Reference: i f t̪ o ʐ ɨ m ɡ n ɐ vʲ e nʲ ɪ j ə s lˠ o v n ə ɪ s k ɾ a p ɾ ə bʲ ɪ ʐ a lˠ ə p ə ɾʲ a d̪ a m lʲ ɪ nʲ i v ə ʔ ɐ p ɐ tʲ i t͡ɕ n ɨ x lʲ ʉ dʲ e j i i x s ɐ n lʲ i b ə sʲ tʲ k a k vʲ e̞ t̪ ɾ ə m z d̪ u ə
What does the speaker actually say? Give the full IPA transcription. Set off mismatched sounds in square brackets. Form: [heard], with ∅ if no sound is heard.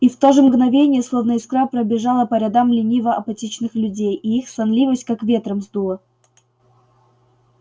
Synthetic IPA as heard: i f t̪ o ʐ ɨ m ɡ n ɐ vʲ e nʲ ɪ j ə s lˠ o v n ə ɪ s k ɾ a p ɾ ə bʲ ɪ ʐ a lˠ ə p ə ɾʲ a d̪ a m lʲ ɪ nʲ i v ə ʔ ɐ p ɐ tʲ i t͡ɕ n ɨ x lʲ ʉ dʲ e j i i x s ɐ n lʲ i [v] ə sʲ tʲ k a k vʲ e̞ t̪ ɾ ə m z d̪ u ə